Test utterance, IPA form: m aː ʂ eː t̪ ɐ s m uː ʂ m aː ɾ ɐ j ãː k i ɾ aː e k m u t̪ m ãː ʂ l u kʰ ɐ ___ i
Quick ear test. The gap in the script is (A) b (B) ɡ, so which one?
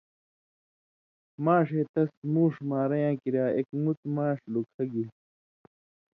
B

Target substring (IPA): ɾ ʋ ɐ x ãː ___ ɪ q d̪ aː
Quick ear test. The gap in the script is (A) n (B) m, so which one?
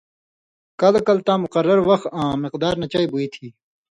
B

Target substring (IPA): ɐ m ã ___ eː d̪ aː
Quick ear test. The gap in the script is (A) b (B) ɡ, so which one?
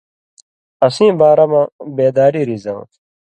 A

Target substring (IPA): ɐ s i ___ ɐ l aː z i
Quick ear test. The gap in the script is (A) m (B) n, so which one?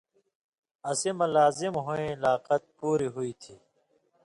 A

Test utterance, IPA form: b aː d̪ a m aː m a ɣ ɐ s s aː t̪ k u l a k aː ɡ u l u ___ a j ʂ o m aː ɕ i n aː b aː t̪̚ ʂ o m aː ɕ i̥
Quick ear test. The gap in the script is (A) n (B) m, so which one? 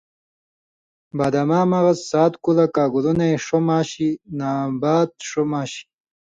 A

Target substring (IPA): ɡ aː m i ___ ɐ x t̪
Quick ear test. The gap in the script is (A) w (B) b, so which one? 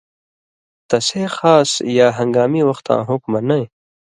A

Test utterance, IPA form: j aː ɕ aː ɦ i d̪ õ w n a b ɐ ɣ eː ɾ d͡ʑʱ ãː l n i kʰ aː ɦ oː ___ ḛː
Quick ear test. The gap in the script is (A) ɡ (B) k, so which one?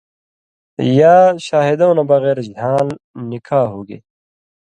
A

